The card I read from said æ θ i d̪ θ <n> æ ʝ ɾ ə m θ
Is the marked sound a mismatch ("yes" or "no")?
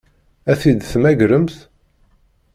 yes